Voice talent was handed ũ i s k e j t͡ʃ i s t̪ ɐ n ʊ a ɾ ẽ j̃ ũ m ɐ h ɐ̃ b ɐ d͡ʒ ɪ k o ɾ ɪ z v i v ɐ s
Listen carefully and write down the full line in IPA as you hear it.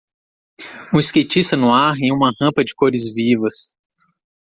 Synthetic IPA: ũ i s k e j t͡ʃ i s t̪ ɐ n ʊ a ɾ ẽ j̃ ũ m ɐ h ɐ̃ p ɐ d͡ʒ ɪ k o ɾ ɪ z v i v ɐ s